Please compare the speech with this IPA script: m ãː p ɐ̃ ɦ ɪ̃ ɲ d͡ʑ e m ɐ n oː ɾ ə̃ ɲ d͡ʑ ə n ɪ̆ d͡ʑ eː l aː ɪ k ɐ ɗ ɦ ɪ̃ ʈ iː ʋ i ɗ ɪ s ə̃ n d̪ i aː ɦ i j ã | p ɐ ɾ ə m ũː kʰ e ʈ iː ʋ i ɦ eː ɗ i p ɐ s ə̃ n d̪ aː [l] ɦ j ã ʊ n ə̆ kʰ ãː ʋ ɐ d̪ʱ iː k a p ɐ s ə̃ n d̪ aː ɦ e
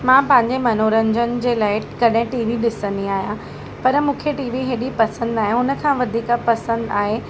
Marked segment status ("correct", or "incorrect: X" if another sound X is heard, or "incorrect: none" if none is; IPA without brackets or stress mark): incorrect: none